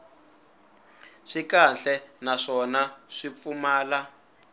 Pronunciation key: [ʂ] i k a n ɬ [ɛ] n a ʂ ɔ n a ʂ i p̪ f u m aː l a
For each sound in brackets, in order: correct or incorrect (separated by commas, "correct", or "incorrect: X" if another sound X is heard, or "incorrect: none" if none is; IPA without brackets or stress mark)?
correct, correct